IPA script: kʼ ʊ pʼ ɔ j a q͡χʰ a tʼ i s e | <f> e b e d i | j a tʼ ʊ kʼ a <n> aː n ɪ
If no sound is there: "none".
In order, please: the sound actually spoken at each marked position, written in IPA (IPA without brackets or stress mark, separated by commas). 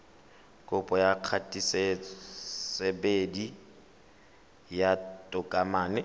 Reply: s, m